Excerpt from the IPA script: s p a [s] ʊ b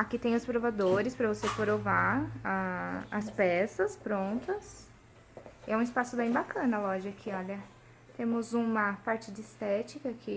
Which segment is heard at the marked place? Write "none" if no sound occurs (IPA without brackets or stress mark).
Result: s